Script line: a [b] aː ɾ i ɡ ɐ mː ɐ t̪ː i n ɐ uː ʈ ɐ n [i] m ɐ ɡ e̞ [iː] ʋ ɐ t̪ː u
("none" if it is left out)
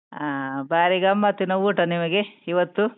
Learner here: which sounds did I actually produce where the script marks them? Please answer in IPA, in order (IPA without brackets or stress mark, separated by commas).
b, i, i